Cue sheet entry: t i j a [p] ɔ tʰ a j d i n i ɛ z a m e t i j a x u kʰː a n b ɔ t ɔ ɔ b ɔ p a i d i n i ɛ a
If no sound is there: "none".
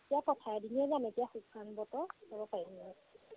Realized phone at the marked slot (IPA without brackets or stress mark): p